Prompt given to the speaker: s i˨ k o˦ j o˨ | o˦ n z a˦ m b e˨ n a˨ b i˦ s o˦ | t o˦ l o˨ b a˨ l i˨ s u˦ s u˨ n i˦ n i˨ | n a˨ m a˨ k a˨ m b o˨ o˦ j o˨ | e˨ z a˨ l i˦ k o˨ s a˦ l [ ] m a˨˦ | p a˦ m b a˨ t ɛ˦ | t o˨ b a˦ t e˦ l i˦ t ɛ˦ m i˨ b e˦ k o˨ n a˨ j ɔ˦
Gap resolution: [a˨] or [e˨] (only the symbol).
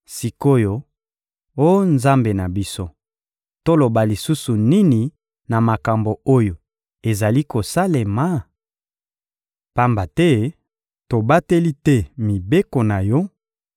e˨